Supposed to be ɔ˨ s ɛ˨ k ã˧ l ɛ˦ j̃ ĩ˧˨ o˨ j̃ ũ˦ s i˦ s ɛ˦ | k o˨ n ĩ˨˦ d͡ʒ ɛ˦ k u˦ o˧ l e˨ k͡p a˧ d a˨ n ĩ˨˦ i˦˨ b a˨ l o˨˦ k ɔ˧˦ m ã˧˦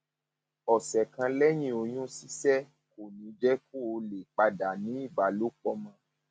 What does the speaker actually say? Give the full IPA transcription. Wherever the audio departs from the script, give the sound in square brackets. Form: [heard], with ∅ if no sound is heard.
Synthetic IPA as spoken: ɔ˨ s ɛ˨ k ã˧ l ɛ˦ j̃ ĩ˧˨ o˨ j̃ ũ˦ s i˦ s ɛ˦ | k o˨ n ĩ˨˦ d͡ʒ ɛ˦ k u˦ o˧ l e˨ k͡p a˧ d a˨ n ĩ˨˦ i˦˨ b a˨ l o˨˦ [k͡p] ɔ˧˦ m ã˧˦